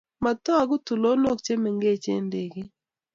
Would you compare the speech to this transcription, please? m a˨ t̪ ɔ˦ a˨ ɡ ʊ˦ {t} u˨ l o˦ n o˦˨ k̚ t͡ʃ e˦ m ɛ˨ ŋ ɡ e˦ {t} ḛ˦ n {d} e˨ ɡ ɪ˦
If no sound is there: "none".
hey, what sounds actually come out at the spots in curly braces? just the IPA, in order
t, t͡ʃ, d

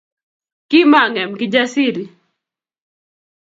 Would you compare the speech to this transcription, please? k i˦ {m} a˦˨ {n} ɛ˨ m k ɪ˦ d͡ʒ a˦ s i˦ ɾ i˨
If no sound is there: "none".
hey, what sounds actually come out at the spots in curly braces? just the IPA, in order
m, ŋ

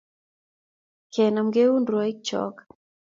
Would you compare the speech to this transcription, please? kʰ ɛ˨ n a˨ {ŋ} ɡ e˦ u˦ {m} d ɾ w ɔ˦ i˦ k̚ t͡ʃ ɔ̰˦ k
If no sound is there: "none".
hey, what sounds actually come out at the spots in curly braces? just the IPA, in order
m, n

